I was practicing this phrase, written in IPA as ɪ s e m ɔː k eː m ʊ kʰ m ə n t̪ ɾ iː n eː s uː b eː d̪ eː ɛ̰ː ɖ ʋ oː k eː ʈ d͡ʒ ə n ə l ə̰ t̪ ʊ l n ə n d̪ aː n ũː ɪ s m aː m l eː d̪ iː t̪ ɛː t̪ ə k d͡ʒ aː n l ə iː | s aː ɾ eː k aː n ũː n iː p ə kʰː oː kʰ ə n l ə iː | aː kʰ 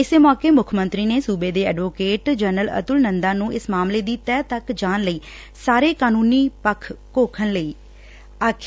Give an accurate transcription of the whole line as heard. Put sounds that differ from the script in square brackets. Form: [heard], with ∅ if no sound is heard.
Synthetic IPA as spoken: ɪ s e m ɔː k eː m ʊ kʰ m ə n t̪ ɾ iː n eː s uː b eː d̪ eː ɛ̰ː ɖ ʋ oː k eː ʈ d͡ʒ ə n ə l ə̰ t̪ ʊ l n ə n d̪ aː n ũː ɪ s m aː m l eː d̪ iː t̪ ɛː t̪ ə k d͡ʒ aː n l ə iː | s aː ɾ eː k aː n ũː n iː p ə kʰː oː kʰ ə n l ə iː | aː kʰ